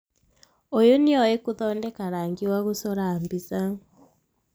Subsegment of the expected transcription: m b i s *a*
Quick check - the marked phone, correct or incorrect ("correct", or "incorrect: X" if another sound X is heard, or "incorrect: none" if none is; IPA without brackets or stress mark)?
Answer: correct